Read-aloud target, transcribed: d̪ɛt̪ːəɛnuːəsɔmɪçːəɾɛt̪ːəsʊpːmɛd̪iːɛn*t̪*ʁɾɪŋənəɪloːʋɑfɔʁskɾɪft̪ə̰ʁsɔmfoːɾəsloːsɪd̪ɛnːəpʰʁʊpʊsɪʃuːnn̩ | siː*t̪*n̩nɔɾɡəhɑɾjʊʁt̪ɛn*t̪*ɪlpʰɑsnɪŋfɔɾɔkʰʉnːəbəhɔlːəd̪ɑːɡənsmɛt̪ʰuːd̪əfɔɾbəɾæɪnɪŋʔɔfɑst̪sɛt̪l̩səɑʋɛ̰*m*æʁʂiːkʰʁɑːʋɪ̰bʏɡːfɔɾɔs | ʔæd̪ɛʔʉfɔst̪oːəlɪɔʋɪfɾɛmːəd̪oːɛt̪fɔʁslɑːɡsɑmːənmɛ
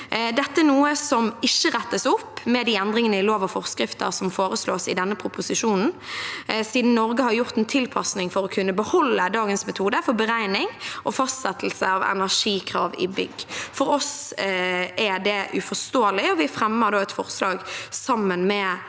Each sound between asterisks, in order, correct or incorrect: incorrect: d̪, incorrect: d̪, incorrect: t̪ʰ, incorrect: n

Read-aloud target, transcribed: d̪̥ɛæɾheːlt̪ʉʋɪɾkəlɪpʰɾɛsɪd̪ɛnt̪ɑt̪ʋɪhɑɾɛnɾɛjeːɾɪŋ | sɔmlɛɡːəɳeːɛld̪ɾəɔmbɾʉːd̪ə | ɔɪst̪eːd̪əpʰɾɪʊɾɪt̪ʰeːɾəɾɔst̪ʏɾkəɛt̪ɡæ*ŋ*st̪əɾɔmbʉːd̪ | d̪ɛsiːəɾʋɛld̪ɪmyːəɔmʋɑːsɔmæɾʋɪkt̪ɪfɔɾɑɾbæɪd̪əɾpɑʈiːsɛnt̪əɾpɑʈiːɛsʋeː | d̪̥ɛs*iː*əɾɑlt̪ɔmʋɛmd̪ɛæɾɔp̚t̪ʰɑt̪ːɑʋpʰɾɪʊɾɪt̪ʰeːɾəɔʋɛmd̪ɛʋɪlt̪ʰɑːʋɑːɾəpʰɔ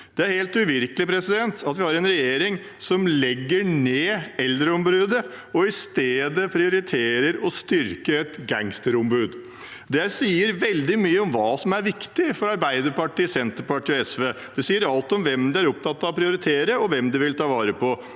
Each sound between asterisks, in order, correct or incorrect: correct, correct

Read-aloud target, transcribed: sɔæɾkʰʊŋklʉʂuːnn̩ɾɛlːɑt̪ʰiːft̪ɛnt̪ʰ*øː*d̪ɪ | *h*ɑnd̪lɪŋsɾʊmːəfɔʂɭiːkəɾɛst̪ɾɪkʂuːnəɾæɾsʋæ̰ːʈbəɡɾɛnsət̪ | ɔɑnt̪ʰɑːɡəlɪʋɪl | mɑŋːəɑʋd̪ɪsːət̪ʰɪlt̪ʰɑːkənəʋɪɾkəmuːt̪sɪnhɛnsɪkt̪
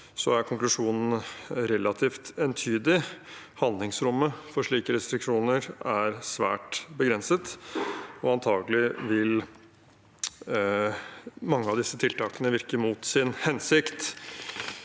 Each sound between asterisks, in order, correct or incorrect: incorrect: yː, correct

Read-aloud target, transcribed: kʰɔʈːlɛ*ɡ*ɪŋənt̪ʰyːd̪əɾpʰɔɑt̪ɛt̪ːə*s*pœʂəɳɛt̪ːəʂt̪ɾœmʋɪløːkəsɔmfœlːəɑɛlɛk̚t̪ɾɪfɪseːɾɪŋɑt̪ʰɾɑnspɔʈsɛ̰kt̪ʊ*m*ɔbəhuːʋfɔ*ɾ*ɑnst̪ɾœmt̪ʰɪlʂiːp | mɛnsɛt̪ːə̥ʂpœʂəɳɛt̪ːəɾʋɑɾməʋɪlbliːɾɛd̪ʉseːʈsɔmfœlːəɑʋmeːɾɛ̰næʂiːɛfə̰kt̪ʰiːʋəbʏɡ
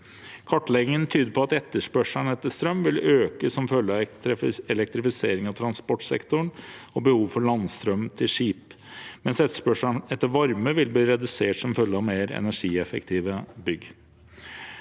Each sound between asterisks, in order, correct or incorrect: correct, incorrect: ʂ, incorrect: ɳ, incorrect: ɭ

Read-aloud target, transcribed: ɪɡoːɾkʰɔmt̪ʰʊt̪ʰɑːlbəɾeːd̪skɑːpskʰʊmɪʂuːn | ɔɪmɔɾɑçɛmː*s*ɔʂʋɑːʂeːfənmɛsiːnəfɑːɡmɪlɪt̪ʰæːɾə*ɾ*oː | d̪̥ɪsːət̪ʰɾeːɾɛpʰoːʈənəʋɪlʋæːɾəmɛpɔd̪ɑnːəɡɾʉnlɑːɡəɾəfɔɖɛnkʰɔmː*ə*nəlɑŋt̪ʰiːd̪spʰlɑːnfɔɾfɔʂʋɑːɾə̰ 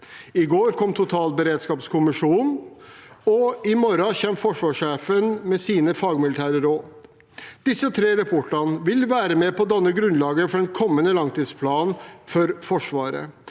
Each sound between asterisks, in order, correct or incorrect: incorrect: f, correct, correct

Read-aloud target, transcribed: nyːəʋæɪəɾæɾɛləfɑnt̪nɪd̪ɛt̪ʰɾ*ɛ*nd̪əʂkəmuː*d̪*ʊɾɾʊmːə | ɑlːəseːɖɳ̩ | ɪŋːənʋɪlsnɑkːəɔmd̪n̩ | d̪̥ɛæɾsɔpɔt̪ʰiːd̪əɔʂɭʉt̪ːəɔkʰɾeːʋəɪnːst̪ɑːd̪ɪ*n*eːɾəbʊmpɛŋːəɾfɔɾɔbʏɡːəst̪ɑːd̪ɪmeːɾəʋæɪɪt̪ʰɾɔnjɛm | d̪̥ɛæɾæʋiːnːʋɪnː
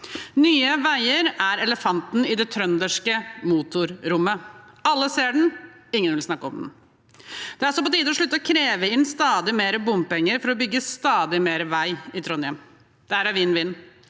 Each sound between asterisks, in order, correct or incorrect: incorrect: œ, incorrect: t̪, incorrect: m

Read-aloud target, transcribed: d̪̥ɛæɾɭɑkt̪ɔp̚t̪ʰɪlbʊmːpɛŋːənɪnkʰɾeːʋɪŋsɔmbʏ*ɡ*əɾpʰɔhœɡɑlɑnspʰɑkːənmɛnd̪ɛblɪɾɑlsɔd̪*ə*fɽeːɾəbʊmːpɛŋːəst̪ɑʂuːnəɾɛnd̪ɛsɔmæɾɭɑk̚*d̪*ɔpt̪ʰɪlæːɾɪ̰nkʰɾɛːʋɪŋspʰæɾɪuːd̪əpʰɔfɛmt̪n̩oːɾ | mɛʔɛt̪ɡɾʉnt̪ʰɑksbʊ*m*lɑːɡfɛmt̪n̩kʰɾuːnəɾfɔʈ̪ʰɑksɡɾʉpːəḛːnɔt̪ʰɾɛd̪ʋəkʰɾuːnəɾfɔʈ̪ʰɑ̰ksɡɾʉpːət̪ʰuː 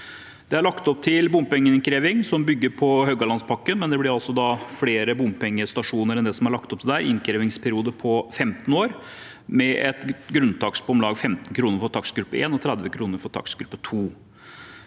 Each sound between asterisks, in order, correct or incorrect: incorrect: ɡː, incorrect: ɑ, incorrect: t̪, correct

